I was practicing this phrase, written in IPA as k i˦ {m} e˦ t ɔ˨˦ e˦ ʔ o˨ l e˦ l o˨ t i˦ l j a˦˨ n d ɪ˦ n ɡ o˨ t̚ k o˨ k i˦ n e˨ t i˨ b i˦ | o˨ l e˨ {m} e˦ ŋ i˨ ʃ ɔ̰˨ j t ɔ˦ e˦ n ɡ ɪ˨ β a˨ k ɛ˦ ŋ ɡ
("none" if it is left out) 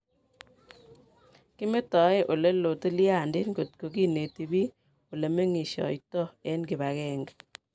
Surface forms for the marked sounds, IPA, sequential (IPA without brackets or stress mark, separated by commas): m, m